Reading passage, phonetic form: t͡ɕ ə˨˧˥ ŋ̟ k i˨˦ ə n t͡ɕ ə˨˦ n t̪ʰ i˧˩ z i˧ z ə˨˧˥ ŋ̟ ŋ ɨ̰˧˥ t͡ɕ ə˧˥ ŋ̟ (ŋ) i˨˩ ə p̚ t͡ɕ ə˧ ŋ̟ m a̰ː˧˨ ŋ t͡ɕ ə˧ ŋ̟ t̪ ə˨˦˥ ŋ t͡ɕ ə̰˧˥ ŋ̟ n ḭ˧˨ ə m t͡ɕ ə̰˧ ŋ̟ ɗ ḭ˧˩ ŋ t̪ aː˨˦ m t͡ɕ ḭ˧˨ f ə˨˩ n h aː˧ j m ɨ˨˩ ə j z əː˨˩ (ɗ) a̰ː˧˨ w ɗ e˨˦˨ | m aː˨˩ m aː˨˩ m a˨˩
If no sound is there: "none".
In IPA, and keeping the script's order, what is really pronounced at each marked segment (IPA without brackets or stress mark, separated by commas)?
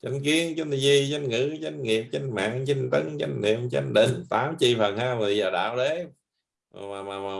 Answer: ŋ, ɗ